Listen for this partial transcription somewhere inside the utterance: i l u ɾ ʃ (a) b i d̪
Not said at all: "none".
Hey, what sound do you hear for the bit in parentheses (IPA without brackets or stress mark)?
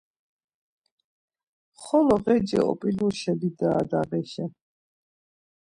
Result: ɛ